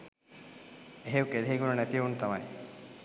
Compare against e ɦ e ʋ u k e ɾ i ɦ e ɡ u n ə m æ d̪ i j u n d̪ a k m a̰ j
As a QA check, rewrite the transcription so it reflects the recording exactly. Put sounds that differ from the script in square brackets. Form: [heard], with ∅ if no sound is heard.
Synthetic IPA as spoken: e ɦ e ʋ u k e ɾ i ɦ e ɡ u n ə [n] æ [t̪] i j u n [t̪] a [∅] m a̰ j